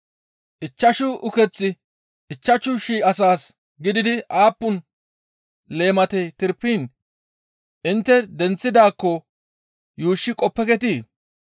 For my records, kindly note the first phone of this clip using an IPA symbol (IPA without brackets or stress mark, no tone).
ʔ